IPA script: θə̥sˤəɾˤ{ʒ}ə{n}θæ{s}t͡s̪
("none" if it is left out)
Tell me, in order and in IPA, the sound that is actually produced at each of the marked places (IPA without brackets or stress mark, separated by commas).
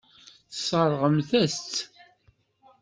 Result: ʁ, m, s